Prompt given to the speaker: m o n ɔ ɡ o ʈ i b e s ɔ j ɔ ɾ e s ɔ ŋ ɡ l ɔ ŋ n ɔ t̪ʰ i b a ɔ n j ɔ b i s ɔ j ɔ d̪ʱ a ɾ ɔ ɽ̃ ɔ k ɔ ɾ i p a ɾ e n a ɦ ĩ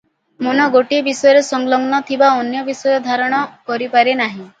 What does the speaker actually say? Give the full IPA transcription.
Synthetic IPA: m o n ɔ ɡ o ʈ i b i s ɔ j ɔ ɾ e s ɔ ŋ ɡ l ɔ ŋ n ɔ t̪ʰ i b a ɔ n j ɔ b i s ɔ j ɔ d̪ʱ a ɾ ɔ ɽ̃ ɔ k ɔ ɾ i p a ɾ e n a ɦ ĩ